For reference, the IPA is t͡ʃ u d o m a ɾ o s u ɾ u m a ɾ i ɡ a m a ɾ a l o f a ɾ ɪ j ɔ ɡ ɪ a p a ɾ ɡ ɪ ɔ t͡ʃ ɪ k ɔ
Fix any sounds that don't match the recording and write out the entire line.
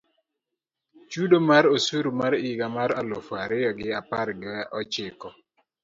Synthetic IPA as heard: t͡ʃ u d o m a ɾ o s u ɾ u m a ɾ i ɡ a m a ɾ a l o f a ɾ ɪ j ɔ ɡ ɪ a p a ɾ ɡ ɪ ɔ t͡ʃ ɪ k ɔ